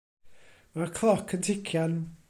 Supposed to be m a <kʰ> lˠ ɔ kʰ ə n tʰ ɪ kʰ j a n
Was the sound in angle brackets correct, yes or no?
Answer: yes